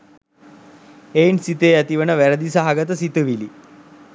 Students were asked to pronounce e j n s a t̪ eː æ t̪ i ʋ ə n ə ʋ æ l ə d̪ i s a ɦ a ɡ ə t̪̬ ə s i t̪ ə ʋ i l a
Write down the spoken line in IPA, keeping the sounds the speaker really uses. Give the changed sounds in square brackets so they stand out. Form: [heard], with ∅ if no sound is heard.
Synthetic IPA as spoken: e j n s [i] t̪ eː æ t̪ i ʋ ə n ə ʋ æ [ɾ] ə d̪ i s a ɦ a ɡ ə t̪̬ ə s i t̪ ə ʋ i l [i]